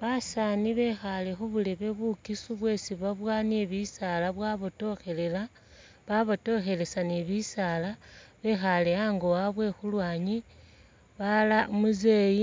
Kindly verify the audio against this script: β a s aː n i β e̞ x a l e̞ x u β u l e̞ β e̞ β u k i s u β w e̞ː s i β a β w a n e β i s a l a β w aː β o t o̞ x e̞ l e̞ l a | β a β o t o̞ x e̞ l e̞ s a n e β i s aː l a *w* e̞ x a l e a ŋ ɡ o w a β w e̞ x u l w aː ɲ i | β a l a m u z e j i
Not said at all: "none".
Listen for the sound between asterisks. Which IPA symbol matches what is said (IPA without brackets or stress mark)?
β